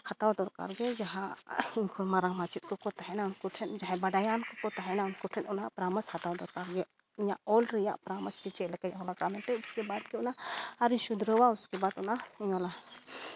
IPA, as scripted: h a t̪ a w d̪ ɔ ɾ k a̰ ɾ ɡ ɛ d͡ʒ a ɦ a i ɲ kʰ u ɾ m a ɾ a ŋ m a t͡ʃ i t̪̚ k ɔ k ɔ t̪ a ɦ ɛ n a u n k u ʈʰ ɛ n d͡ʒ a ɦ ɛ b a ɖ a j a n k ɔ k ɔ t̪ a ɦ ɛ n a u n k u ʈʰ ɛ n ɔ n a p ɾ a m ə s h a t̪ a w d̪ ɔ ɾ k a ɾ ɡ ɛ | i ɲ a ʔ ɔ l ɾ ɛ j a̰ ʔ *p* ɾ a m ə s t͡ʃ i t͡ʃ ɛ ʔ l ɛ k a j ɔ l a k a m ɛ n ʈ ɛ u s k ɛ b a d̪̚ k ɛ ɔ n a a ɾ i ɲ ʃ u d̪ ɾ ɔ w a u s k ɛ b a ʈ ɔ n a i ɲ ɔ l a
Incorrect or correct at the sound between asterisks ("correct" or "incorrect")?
correct